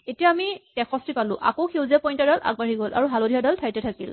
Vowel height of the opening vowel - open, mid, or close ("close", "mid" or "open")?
mid